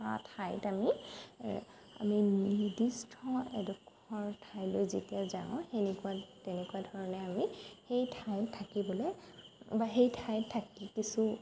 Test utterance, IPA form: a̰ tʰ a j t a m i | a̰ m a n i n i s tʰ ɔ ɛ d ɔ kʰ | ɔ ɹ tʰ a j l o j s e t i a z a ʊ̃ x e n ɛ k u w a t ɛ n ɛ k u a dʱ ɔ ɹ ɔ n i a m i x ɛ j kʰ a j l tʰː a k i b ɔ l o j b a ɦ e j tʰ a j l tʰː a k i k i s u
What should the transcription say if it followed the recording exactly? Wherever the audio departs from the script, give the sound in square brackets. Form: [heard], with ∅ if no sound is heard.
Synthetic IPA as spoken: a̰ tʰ a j t a m i | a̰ m [i] n i [d] i s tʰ ɔ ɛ d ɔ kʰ | ɔ ɹ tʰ a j l o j [z] e t i a z a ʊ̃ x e n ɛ k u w a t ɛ n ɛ k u a dʱ ɔ ɹ ɔ n [ɛ] a m i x [e] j [tʰ] a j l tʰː a k i b ɔ l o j b a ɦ e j tʰ a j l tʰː a k i k i s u

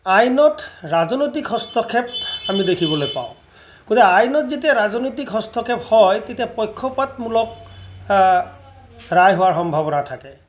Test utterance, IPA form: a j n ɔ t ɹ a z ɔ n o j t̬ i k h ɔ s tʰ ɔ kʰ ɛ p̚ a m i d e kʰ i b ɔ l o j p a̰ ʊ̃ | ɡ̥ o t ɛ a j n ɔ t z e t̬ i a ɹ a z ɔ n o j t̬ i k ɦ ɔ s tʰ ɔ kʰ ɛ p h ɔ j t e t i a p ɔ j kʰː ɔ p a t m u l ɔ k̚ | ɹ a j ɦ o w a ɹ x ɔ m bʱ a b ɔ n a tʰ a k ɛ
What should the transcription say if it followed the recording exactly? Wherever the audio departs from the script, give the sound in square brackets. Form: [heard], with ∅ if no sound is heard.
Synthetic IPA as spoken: a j n ɔ t ɹ a z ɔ n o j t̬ i k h ɔ s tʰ ɔ kʰ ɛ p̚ a m i d e kʰ i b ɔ l o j p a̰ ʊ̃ | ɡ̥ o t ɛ a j n ɔ t z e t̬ i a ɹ a z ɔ n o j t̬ i k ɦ ɔ s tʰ ɔ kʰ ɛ p h ɔ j t e t i a p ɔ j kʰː ɔ p a t m u l ɔ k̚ | ɹ a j ɦ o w a ɹ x ɔ m bʱ a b ɔ n a tʰ a k ɛ

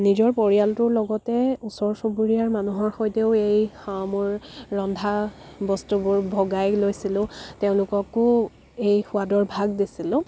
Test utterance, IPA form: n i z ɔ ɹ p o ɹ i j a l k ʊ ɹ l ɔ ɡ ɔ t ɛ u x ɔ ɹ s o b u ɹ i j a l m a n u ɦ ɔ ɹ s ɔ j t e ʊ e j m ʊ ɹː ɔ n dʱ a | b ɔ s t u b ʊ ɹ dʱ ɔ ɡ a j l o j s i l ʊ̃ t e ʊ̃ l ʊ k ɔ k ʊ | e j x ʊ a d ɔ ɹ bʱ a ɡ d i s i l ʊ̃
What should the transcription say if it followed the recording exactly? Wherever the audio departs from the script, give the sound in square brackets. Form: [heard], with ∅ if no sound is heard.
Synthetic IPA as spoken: n i z ɔ ɹ p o ɹ i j a l [t] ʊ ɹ l ɔ ɡ ɔ t ɛ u [s] ɔ ɹ s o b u ɹ i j a [ɹ] m a n u ɦ ɔ ɹ [x] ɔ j t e ʊ e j m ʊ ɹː ɔ n dʱ a | b ɔ s t u b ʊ ɹ [bʱ] ɔ ɡ a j l o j s i l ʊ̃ t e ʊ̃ l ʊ k ɔ k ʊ | e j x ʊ a d ɔ ɹ bʱ a ɡ d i s i l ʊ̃

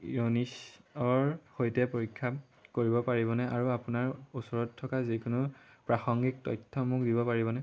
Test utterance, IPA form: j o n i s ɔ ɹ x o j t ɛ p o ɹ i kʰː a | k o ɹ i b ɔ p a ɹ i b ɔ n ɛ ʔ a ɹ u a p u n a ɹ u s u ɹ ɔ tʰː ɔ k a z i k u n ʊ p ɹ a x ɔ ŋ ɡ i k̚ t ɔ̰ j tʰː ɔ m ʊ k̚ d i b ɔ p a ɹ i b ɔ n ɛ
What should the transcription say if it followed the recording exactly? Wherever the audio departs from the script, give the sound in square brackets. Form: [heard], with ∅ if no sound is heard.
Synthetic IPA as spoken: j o n i s ɔ ɹ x o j t ɛ p o ɹ i kʰː a | k o ɹ i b ɔ p a ɹ i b ɔ n ɛ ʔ a ɹ u a p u n a ɹ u s [ɔ] ɹ ɔ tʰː ɔ k a z i k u n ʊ p ɹ a x ɔ ŋ ɡ i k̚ t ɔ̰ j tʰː ɔ m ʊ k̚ d i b ɔ p a ɹ i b ɔ n ɛ

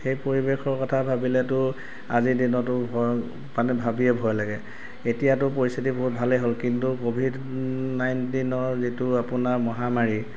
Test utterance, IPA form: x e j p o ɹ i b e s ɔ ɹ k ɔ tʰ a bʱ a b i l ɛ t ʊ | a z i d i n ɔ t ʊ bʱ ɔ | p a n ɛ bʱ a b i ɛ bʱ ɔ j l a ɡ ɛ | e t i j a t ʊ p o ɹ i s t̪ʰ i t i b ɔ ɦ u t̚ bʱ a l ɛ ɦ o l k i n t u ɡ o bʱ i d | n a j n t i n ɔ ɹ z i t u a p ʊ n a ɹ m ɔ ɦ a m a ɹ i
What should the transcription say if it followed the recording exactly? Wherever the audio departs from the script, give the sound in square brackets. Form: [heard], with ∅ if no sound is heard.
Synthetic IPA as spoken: x e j p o ɹ i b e [x] ɔ ɹ k ɔ tʰ a bʱ a b i l ɛ t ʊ | a z i d i n ɔ t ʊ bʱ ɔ | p a n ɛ bʱ a b i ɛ bʱ ɔ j l a ɡ ɛ | e t i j a t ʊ p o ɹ i s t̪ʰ i t i b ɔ ɦ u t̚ bʱ a l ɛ ɦ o l k i n t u [k] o bʱ i d | n a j n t i n ɔ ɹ z i t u a p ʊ n a ɹ m ɔ ɦ a m a ɹ i

